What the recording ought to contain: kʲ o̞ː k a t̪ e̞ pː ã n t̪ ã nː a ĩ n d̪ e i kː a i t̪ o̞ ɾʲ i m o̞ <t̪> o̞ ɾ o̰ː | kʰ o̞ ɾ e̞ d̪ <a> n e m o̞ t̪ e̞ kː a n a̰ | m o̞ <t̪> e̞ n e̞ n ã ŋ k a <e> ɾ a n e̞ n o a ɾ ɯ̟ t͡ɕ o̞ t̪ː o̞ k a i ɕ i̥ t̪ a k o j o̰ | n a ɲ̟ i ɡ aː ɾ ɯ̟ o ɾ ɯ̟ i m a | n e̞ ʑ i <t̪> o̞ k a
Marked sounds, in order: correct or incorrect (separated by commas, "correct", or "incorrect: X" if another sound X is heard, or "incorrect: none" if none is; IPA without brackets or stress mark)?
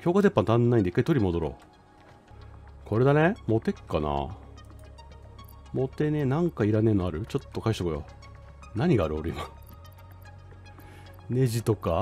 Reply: incorrect: d̪, correct, correct, incorrect: i, correct